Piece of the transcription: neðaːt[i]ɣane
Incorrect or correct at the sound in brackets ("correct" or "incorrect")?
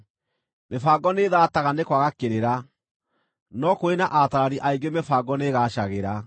incorrect